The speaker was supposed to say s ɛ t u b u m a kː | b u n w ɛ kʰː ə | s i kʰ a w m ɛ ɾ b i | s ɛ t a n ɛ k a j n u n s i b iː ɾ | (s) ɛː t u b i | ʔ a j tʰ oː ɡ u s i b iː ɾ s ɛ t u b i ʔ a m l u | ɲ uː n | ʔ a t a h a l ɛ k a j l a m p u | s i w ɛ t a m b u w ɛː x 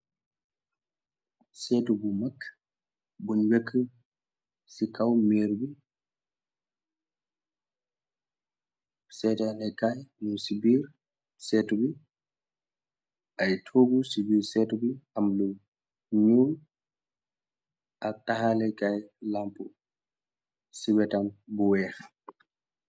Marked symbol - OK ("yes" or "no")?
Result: yes